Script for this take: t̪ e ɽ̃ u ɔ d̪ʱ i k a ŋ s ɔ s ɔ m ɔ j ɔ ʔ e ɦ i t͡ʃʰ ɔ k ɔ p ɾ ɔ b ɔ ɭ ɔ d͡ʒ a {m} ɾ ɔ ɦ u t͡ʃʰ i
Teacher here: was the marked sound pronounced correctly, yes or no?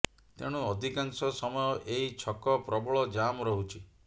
yes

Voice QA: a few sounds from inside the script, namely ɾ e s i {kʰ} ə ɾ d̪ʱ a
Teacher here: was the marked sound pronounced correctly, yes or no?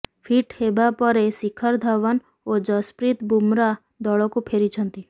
yes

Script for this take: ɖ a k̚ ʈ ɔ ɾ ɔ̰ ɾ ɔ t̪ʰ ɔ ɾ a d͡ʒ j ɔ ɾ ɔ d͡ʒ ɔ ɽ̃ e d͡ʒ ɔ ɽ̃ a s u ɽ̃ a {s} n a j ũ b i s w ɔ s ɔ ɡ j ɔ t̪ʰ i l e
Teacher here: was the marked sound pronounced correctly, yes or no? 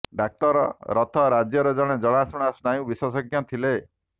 yes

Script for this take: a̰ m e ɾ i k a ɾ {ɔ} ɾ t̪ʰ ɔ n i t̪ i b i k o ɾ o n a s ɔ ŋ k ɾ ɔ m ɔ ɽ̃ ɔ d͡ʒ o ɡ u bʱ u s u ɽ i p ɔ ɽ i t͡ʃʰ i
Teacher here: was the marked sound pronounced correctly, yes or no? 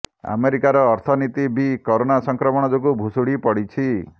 no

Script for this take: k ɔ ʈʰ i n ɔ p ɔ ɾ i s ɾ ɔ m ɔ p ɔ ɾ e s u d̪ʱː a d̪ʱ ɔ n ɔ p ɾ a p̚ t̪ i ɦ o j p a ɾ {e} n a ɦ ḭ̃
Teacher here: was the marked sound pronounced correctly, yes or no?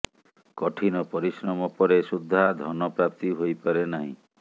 yes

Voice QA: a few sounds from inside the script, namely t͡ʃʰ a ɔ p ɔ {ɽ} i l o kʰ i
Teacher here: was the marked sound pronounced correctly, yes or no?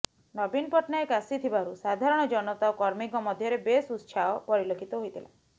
no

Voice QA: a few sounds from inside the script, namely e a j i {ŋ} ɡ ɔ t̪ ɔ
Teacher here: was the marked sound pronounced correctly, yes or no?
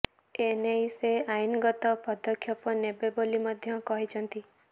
no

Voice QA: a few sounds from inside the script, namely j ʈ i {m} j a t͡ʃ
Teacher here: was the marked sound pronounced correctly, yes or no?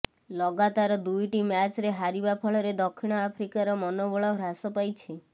yes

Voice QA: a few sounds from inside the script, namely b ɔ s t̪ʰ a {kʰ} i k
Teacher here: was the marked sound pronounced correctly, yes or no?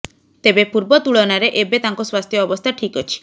no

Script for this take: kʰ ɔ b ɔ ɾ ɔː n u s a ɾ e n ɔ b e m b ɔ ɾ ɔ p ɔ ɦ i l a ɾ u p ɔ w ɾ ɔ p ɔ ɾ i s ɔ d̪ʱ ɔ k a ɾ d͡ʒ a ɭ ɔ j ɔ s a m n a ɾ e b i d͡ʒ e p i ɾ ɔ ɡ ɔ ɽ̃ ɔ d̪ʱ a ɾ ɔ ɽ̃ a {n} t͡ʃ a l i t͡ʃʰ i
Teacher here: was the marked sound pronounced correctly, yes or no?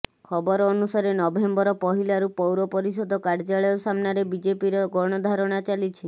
no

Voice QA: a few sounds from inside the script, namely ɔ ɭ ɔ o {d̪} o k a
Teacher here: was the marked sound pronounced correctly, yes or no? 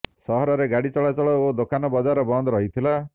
yes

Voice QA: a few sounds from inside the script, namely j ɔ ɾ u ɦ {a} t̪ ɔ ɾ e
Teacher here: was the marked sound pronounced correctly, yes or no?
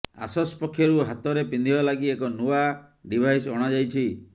yes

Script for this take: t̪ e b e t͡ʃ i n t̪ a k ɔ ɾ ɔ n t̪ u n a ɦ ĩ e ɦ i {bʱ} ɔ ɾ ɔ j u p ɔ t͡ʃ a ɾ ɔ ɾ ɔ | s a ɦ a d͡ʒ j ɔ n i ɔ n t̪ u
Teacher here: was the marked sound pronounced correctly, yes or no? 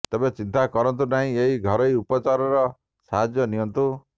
no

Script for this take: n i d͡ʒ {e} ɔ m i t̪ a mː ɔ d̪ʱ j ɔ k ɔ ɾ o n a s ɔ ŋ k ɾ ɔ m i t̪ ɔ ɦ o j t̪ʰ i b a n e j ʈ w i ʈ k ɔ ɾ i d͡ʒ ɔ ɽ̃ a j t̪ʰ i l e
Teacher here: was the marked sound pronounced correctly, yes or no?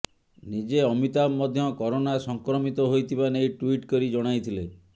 yes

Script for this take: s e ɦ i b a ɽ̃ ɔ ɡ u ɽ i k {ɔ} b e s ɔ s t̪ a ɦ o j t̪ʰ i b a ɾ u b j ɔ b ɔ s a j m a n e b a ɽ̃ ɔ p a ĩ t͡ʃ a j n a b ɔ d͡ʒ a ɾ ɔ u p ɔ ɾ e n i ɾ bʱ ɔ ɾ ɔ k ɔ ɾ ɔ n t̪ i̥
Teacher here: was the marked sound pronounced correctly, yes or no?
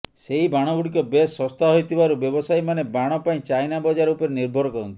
yes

